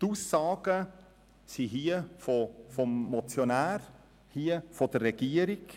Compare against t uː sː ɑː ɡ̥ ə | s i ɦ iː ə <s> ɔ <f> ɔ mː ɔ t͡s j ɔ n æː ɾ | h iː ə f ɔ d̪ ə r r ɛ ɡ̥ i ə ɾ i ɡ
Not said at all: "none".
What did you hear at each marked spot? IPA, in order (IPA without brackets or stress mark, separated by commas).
f, f